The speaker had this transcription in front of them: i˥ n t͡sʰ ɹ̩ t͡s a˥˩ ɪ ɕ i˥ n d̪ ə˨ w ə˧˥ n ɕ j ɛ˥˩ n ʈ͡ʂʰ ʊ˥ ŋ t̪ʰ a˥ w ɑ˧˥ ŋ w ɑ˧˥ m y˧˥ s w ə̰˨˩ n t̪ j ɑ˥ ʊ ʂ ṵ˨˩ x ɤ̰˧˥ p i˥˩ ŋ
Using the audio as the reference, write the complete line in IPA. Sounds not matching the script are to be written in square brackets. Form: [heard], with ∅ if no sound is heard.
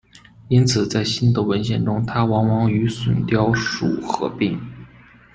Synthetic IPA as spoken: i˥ n t͡sʰ ɹ̩ t͡s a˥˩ ɪ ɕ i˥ n d̪ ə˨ w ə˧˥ n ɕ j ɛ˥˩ n [ʈ͡ʂ] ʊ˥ ŋ t̪ʰ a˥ w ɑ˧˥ ŋ w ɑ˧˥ [ŋ] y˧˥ s w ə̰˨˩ n t̪ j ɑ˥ ʊ ʂ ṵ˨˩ x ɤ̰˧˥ p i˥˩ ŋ